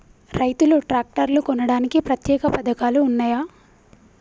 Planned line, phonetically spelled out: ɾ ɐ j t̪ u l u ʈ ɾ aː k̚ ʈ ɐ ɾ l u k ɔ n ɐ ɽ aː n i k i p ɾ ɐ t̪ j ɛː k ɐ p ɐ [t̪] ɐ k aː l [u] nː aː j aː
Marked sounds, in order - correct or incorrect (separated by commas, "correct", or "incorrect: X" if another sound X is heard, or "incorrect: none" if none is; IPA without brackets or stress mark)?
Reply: incorrect: d̪, incorrect: uː